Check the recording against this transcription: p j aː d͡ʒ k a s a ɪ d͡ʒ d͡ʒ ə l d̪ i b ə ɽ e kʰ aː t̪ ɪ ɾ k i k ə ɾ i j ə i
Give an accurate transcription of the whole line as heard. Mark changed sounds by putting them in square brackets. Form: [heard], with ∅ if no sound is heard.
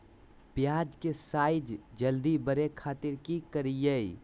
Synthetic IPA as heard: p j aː d͡ʒ k [e] s a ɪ d͡ʒ d͡ʒ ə l d̪ i b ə [ɾ] e kʰ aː t̪ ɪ ɾ k i k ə ɾ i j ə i